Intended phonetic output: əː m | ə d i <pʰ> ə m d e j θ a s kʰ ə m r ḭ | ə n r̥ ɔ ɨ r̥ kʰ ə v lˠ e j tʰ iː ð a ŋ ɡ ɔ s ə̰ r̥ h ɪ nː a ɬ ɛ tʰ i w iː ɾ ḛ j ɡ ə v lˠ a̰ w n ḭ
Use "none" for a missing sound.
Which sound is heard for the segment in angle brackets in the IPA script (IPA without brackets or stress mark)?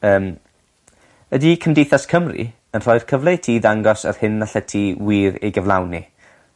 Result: kʰ